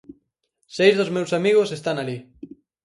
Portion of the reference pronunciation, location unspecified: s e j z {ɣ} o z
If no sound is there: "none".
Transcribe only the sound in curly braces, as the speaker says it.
ð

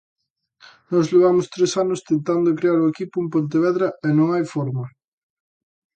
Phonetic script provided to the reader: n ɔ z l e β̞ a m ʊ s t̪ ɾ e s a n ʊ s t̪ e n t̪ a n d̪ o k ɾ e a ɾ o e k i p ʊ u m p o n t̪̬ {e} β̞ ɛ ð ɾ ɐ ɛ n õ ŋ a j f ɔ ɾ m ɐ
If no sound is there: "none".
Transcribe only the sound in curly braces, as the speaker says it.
e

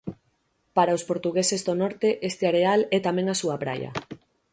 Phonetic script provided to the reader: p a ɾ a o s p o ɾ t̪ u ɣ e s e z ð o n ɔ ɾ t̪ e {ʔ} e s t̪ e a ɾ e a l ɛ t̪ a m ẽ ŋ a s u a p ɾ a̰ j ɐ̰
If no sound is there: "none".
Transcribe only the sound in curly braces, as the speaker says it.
ʔ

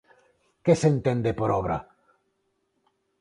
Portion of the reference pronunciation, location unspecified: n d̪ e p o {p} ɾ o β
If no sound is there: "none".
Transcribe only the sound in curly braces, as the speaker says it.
none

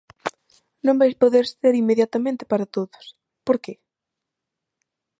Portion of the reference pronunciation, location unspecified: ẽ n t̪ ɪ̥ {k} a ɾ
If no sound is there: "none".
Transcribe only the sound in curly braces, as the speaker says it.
p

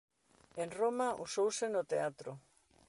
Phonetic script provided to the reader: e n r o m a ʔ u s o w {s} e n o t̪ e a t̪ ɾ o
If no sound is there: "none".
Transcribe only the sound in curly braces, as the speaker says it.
s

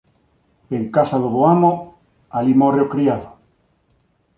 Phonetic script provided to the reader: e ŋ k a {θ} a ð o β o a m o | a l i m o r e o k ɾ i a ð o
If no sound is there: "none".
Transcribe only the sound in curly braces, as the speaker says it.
s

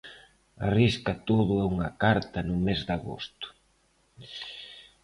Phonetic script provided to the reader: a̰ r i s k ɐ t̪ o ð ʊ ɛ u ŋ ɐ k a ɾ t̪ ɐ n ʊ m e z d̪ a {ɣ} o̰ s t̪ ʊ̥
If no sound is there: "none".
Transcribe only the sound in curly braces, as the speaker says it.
ɣ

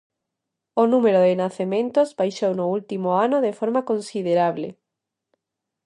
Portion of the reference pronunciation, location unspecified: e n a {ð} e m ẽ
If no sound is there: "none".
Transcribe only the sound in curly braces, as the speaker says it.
θ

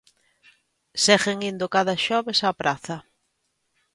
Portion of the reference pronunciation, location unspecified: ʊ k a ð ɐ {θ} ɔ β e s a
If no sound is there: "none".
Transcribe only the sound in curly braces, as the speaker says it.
ʃ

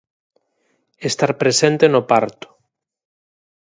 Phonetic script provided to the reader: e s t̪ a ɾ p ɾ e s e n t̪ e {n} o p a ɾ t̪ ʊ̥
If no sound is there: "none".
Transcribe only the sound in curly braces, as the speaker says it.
n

